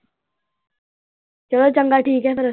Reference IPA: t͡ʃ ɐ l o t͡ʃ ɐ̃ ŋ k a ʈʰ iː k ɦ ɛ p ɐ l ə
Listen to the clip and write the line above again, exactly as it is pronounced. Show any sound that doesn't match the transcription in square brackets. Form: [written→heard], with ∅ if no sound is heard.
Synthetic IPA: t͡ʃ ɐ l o t͡ʃ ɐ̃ ŋ [k→ɡ] a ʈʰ iː k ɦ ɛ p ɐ [l→ɾ] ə